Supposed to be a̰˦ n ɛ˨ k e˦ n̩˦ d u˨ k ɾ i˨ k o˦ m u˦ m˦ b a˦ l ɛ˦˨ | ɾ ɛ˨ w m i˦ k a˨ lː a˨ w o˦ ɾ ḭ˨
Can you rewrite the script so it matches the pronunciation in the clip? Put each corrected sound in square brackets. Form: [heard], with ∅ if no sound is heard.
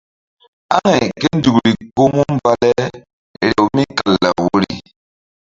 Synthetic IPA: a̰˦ [ŋ] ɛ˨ k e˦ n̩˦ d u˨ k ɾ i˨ k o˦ m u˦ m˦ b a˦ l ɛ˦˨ | ɾ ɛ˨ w m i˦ k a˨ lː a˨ w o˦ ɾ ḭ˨